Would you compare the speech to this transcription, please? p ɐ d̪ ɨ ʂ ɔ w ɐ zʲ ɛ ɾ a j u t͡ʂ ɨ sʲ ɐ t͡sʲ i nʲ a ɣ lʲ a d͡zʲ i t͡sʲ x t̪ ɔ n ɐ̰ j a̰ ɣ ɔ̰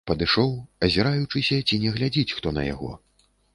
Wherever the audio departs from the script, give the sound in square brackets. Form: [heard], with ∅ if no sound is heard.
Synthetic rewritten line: p ɐ d̪ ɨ ʂ ɔ w ɐ zʲ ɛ ɾ a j u t͡ʂ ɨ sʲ ɐ t͡sʲ i nʲ [ɛ] ɣ lʲ a d͡zʲ i t͡sʲ x t̪ ɔ n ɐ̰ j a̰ ɣ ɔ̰